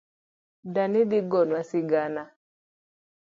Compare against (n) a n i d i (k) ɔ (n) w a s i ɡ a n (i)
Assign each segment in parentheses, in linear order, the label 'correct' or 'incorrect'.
incorrect: d, incorrect: ɡ, correct, incorrect: a

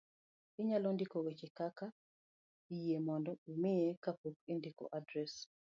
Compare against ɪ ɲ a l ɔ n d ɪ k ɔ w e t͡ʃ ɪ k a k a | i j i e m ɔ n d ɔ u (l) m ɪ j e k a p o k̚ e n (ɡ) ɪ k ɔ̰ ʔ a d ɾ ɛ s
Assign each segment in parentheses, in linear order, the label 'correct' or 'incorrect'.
incorrect: none, incorrect: d

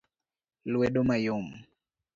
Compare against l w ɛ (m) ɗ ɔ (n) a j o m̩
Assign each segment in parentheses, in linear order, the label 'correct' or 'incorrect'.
incorrect: none, incorrect: m

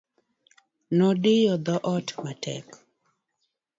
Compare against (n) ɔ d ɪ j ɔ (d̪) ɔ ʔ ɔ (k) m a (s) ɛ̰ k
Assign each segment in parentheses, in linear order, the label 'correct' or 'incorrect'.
correct, correct, incorrect: t, incorrect: t

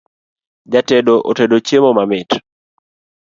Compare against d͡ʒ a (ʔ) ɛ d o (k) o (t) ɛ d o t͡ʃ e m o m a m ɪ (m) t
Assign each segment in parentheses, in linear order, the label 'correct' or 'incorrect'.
incorrect: t, incorrect: ʔ, correct, incorrect: none

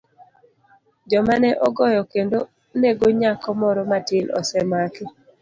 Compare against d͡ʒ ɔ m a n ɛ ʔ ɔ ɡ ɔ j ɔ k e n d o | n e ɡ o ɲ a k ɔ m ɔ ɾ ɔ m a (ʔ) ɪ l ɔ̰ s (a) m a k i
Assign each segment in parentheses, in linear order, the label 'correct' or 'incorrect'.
incorrect: t, incorrect: ɛ

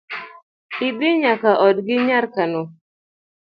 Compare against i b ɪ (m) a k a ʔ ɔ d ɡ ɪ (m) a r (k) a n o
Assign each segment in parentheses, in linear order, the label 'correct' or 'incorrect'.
incorrect: ɲ, incorrect: ɲ, correct

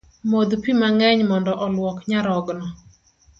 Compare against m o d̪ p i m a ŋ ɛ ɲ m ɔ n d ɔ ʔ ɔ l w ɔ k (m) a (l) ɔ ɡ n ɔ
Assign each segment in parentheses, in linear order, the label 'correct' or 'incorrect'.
incorrect: ɲ, incorrect: ɾ

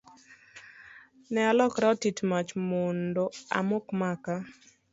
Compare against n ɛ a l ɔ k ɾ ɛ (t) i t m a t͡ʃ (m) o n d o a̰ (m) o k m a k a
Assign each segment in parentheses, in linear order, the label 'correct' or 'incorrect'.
correct, correct, correct

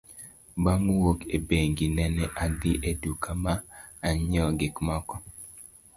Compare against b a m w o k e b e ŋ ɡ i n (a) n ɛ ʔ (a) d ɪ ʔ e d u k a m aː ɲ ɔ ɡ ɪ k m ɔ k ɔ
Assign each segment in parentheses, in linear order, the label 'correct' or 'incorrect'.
incorrect: ɛ, correct

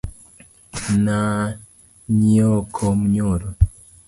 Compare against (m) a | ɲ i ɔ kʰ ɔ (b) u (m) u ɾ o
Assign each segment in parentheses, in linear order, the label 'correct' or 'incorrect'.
incorrect: n, incorrect: m, incorrect: ɲ

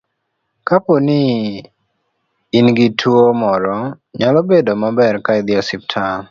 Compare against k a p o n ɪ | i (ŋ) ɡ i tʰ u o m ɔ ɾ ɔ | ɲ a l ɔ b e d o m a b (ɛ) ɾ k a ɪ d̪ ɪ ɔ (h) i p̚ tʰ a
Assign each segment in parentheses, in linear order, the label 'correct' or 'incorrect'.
incorrect: n, correct, incorrect: s

